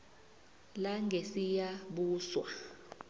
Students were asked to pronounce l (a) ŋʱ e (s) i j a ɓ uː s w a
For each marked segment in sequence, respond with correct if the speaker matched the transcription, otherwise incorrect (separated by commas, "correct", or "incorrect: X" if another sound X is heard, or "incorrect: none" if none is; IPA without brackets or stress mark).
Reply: correct, correct